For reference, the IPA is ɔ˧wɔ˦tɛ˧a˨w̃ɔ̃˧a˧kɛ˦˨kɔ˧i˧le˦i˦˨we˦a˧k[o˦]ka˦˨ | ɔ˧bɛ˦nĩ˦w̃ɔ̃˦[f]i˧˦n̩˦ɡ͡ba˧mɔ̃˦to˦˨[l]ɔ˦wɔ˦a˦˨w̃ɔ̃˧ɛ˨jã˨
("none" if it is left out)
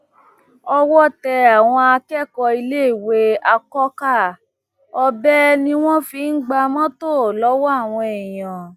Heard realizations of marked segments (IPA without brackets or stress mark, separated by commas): ɔ˦, f, l